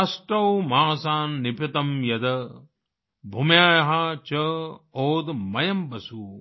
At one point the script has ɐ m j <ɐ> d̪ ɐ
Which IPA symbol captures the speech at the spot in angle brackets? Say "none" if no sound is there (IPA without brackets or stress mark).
ɐ